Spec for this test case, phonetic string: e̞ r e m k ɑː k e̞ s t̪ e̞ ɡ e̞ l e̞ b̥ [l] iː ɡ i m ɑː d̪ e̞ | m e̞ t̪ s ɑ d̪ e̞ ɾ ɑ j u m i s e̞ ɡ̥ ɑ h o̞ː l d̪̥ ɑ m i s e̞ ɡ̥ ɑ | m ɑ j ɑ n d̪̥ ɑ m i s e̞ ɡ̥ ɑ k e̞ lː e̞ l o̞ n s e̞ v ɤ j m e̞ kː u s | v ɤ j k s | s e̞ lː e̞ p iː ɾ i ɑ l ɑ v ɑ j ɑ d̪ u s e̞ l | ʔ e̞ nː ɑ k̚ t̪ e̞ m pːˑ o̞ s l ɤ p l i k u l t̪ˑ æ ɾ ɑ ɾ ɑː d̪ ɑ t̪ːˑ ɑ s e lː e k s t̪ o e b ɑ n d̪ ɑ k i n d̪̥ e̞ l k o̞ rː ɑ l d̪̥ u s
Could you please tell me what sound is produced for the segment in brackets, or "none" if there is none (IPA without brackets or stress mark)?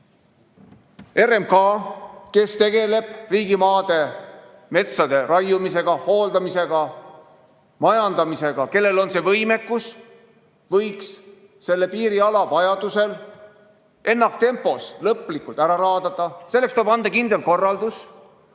r